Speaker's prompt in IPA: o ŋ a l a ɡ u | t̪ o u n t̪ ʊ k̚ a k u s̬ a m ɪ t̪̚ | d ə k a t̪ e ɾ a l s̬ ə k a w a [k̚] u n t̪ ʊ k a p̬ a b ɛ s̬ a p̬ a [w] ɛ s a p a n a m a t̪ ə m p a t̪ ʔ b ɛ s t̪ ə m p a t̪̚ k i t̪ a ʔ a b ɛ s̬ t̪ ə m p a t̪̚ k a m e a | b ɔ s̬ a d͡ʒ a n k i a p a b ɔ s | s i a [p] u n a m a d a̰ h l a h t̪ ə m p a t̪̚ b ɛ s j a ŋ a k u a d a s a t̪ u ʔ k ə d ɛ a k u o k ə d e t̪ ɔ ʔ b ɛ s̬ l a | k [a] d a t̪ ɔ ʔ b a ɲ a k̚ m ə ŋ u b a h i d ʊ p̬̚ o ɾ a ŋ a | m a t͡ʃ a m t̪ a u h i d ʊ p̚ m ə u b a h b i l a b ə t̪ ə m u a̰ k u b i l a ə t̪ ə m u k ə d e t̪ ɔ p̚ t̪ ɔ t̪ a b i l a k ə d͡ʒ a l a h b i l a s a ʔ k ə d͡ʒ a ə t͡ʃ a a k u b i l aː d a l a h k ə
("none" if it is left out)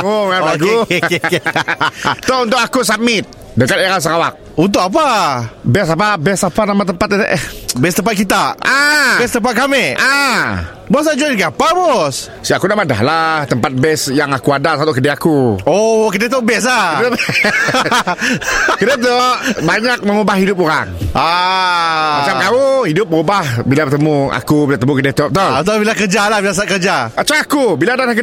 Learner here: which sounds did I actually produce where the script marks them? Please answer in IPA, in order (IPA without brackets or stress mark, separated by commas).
k̚, b, k, ə